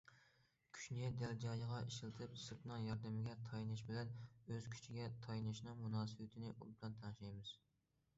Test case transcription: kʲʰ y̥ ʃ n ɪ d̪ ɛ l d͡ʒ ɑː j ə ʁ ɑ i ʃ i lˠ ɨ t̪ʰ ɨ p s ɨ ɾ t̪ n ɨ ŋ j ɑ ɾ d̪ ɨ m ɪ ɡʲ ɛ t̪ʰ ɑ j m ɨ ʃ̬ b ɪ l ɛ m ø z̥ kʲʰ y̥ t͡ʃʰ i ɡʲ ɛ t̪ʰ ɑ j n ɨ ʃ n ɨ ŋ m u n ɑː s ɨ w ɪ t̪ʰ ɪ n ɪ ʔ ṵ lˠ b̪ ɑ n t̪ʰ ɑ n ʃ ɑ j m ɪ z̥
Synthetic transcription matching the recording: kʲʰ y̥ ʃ n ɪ d̪ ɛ l d͡ʒ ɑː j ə ʁ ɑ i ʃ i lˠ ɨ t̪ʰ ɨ p s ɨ ɾ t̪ n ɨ ŋ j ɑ ɾ d̪ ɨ m ɪ ɡʲ ɛ t̪ʰ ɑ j n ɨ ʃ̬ b ɪ l ɛ n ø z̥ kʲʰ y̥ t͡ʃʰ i ɡʲ ɛ t̪ʰ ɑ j n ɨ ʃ n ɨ ŋ m u n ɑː s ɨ w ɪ t̪ʰ ɪ n ɪ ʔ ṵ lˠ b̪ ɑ n t̪ʰ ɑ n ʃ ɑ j m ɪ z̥